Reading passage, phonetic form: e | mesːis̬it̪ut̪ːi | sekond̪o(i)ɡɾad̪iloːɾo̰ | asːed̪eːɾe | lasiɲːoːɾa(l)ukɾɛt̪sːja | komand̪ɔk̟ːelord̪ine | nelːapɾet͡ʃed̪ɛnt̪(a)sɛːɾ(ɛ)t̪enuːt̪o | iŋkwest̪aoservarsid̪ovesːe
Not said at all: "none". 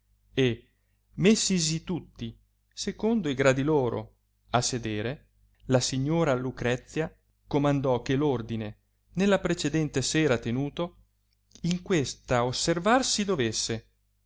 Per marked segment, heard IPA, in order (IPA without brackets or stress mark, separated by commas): i, l, e, a